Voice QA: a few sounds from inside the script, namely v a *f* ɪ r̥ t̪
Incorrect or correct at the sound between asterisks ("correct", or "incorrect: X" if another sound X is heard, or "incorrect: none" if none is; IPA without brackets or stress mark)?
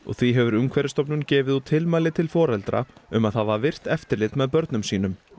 incorrect: v